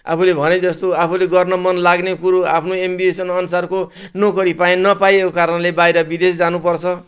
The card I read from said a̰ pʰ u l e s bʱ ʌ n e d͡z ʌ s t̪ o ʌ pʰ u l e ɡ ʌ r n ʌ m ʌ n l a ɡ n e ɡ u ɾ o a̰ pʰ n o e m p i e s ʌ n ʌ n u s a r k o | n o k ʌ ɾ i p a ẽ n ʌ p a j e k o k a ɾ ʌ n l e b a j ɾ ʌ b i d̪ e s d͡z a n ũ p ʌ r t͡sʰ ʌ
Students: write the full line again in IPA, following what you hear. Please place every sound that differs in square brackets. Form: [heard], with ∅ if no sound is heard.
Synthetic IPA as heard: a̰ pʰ u l e [∅] bʱ ʌ n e d͡z ʌ s t̪ o [a] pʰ u l e ɡ ʌ r n ʌ m ʌ n l a ɡ n e [k] u ɾ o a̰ pʰ n o e m [b] i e s ʌ n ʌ n u s a r k o | n o k ʌ ɾ i p a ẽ n ʌ p a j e k o k a ɾ ʌ n l e b a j ɾ ʌ b i d̪ e s d͡z a n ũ p ʌ r t͡sʰ ʌ

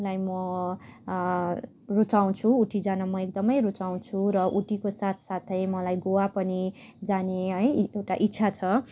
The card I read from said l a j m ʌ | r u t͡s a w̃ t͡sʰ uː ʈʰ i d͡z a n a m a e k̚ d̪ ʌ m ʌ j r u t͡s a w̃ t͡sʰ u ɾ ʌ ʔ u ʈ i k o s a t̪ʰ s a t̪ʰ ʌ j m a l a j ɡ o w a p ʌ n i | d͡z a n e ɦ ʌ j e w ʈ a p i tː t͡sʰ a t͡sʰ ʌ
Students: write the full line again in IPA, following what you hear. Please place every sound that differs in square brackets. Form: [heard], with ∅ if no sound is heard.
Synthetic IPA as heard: l a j m ʌ | r u t͡s a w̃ t͡sʰ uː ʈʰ i d͡z a n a m [ʌ] e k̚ d̪ ʌ m ʌ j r u t͡s a w̃ t͡sʰ u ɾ ʌ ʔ u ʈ i k o s a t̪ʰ s a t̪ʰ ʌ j m [ʌ] l a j ɡ o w a p ʌ n i | d͡z a n e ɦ ʌ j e w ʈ a [ʔ] i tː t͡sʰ a t͡sʰ ʌ

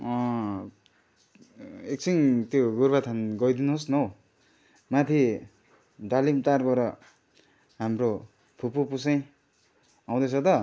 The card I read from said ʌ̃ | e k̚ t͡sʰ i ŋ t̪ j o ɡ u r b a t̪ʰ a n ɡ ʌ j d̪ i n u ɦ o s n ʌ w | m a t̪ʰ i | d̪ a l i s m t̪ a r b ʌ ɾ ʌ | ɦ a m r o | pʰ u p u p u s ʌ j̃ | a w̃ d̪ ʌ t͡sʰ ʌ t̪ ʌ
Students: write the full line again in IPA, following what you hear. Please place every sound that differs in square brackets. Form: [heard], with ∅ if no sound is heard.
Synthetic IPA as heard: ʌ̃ | e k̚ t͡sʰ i ŋ t̪ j o ɡ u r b a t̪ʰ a n ɡ ʌ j d̪ i n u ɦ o s n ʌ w | m a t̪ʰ i | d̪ a l i [∅] m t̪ a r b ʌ ɾ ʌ | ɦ a m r o | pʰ u p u p u s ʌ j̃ | a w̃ d̪ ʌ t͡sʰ ʌ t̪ ʌ

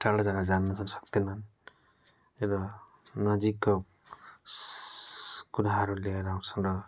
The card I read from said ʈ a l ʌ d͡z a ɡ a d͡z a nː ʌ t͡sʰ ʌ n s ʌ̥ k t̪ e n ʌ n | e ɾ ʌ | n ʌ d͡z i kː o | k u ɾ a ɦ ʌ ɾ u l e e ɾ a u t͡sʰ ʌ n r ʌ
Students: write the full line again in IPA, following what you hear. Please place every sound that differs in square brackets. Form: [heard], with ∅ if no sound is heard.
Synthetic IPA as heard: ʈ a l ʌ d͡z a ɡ a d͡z a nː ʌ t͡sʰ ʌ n s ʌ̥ k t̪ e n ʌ n | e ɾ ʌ | n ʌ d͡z i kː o | k u ɾ a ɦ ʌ ɾ u l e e ɾ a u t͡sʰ ʌ n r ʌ

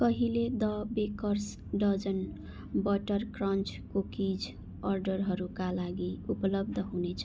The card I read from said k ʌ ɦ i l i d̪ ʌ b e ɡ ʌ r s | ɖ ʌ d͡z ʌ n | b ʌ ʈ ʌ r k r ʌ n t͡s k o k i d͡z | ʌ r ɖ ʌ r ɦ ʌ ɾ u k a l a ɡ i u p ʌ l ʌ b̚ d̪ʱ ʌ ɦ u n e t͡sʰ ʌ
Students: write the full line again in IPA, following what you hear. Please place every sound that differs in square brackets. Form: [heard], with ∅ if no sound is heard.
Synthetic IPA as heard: k ʌ ɦ i l [e] d̪ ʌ b e [k] ʌ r s | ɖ ʌ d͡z ʌ n | b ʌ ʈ ʌ r k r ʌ n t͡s k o k i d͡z | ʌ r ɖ ʌ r ɦ ʌ ɾ u k a l a ɡ i u p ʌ l ʌ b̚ d̪ʱ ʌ ɦ u n e t͡sʰ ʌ

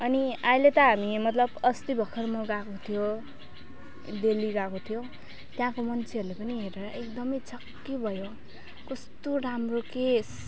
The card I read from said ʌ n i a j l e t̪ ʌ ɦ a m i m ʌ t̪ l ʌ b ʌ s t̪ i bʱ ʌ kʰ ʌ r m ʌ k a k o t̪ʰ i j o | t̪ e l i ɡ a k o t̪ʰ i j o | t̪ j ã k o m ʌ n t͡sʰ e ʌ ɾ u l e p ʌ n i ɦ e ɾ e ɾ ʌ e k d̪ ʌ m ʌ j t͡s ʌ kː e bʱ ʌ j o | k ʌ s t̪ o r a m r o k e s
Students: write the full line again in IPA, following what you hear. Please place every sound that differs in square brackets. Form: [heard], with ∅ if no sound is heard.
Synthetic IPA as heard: ʌ n i a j l e t̪ ʌ ɦ a m i m ʌ t̪ l ʌ b ʌ s t̪ i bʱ ʌ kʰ ʌ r m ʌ [ɡ] a k o t̪ʰ i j o | [d̪] e l i ɡ a k o t̪ʰ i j o | t̪ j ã k o m ʌ n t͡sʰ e ʌ ɾ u l e p ʌ n i ɦ e ɾ e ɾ ʌ e k d̪ ʌ m ʌ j t͡s ʌ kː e bʱ ʌ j o | k ʌ s t̪ o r a m r o k e s

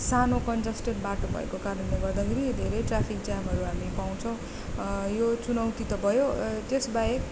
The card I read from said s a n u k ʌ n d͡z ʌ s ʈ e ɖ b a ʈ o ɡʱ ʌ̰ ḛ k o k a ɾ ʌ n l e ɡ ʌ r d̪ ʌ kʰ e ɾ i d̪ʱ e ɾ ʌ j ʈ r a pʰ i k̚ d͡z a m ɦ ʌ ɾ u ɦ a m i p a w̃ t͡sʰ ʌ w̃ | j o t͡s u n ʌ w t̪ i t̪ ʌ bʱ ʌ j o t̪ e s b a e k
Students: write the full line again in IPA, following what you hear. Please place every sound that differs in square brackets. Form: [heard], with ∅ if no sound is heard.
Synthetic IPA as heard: s a n [o] k ʌ n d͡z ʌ s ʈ e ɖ b a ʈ o [bʱ] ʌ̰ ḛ k o k a ɾ ʌ n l e ɡ ʌ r d̪ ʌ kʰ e ɾ i d̪ʱ e ɾ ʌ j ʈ r a pʰ i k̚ d͡z a m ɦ ʌ ɾ u ɦ a m i p a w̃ t͡sʰ ʌ w̃ | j o t͡s u n ʌ w t̪ i t̪ ʌ bʱ ʌ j o t̪ e s b a e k

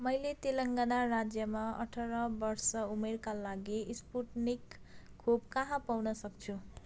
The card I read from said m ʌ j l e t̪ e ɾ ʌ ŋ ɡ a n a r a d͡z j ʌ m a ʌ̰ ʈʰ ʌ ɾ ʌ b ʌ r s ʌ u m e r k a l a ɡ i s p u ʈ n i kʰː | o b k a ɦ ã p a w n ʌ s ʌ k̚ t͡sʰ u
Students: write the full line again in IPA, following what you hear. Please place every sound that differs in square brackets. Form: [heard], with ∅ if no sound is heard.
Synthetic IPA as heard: m ʌ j l e t̪ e [l] ʌ ŋ ɡ a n a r a d͡z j ʌ m a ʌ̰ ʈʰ ʌ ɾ ʌ b ʌ r s ʌ u m e r k a l a ɡ i s p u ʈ n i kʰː | o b k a ɦ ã p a w n ʌ s ʌ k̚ t͡sʰ u

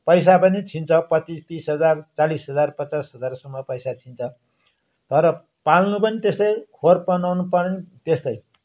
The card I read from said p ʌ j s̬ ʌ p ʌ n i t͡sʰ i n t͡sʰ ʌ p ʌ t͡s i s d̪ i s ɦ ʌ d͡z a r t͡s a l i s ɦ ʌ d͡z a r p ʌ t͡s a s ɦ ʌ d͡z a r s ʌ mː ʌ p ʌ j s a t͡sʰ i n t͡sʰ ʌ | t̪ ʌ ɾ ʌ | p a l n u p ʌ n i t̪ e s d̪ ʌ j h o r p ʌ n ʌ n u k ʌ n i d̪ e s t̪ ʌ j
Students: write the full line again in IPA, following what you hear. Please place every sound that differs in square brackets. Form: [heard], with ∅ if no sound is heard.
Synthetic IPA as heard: p ʌ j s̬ [a] p ʌ n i t͡sʰ i n t͡sʰ ʌ p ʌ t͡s i s [t̪] i s ɦ ʌ d͡z a r t͡s a l i s ɦ ʌ d͡z a r p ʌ t͡s a s ɦ ʌ d͡z a r s ʌ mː ʌ p ʌ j s a t͡sʰ i n t͡sʰ ʌ | t̪ ʌ ɾ ʌ | p a l n u p ʌ n i t̪ e s [t̪] ʌ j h o r p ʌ n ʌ n u [p] ʌ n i [t̪] e s t̪ ʌ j

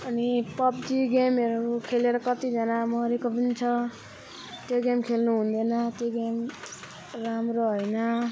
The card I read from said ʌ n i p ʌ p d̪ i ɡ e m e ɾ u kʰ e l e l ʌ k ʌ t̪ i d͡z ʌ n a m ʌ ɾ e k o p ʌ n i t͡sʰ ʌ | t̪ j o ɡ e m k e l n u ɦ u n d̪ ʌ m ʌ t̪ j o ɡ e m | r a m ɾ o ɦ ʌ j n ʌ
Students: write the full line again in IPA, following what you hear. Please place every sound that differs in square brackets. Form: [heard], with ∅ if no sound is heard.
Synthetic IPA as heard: ʌ n i p ʌ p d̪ i ɡ e m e ɾ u kʰ e l e [ɾ] ʌ k ʌ t̪ i d͡z ʌ n a m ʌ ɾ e k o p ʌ n i t͡sʰ ʌ | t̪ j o ɡ e m [kʰ] e l n u ɦ u n d̪ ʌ [n] ʌ t̪ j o ɡ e m | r a m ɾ o ɦ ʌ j n ʌ

